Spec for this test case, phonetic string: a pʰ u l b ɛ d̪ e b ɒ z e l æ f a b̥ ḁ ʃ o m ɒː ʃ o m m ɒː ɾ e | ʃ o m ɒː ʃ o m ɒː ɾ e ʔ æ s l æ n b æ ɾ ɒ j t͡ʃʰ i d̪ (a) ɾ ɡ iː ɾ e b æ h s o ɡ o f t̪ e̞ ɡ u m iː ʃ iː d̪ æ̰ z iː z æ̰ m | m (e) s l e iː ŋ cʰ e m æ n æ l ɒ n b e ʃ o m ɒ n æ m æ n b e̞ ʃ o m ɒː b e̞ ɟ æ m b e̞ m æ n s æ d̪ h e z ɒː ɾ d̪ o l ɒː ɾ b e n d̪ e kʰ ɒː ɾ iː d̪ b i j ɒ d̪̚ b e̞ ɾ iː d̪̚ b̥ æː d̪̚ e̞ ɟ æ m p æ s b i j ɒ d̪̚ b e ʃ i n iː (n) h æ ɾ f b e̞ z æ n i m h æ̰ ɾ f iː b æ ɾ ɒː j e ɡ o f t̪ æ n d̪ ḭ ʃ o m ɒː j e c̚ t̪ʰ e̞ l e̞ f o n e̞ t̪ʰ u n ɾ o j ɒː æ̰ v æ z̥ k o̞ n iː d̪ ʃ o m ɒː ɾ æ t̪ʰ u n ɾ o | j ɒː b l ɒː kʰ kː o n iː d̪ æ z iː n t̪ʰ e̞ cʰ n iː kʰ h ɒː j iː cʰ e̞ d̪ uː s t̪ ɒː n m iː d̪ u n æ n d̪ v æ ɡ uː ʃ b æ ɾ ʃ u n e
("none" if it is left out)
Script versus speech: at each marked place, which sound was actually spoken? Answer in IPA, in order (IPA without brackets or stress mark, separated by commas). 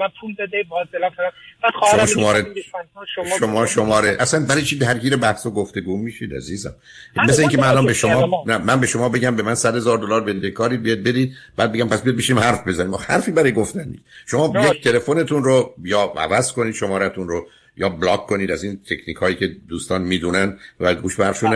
æ, e, m